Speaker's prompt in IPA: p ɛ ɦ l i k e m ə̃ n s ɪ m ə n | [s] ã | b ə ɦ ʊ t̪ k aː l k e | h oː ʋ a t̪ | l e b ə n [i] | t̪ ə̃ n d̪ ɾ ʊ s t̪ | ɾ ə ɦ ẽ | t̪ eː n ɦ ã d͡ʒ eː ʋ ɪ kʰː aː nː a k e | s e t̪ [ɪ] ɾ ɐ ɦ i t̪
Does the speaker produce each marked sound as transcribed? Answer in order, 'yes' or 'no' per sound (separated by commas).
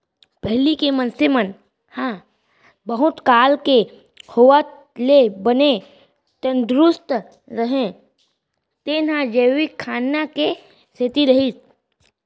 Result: no, no, no